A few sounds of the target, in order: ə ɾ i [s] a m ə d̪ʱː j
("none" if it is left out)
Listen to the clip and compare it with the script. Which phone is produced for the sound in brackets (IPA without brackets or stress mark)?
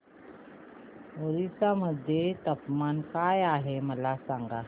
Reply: s